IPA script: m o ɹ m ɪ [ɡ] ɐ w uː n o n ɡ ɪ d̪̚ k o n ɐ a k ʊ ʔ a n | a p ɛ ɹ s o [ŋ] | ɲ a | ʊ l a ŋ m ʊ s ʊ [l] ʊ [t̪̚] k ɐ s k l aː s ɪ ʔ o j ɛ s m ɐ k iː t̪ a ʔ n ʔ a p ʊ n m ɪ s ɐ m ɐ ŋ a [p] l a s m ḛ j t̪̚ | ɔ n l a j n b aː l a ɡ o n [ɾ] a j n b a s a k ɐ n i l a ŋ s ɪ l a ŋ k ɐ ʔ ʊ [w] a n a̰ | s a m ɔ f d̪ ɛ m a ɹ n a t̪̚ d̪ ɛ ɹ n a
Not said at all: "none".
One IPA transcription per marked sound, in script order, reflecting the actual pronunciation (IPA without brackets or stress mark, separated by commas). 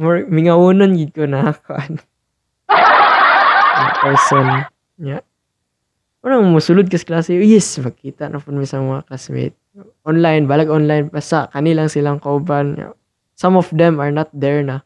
ŋ, n, l, d̪̚, k, l, b